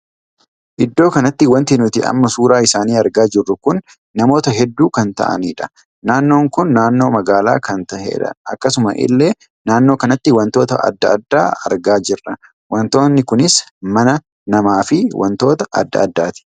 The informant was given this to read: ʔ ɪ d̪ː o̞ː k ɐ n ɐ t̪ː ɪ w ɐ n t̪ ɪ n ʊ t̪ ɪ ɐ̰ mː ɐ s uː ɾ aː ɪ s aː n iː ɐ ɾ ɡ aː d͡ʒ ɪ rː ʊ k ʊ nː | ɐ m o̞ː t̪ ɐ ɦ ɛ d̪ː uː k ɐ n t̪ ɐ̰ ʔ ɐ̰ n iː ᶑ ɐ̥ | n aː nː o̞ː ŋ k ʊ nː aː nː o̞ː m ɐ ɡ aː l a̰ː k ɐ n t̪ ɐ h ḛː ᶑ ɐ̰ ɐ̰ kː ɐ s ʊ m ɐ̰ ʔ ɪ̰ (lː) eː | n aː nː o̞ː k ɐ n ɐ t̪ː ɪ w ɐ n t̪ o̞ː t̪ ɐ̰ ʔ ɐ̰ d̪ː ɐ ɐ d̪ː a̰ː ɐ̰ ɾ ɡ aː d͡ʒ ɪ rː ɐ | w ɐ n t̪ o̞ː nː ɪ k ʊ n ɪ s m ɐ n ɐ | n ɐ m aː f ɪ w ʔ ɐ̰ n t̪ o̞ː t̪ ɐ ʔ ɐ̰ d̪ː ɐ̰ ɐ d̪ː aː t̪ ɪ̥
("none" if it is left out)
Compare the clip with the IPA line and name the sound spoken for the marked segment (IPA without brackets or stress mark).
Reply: lː